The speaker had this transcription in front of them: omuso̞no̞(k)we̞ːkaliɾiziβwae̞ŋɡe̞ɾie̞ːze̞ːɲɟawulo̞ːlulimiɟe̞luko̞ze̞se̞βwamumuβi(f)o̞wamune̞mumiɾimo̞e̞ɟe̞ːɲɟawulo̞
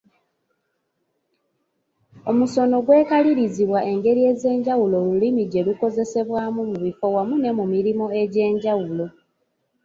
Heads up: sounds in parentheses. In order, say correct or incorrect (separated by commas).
incorrect, correct